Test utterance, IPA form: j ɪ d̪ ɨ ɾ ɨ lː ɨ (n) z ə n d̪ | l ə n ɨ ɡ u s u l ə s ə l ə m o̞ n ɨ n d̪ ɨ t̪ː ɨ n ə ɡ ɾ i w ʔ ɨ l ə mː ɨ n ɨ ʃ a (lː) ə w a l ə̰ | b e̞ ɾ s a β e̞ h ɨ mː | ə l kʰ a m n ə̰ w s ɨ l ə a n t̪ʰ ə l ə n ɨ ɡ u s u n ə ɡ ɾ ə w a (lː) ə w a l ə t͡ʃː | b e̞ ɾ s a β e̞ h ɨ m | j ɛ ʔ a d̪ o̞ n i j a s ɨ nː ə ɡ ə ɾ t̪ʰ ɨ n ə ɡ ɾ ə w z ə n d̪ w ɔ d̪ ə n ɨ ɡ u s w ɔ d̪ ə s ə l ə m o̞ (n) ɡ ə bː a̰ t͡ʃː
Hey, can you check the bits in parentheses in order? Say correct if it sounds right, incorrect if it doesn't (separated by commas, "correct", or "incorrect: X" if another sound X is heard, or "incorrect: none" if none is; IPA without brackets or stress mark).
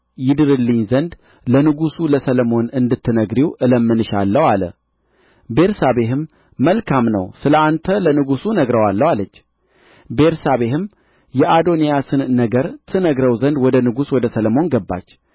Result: incorrect: ɲ, correct, correct, correct